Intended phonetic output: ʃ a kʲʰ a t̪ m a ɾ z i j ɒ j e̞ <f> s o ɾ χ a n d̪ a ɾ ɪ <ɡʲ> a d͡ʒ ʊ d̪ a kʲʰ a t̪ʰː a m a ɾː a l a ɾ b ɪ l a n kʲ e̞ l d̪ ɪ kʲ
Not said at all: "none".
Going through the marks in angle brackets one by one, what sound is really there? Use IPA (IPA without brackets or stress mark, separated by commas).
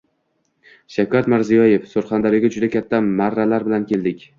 f, ɡʲ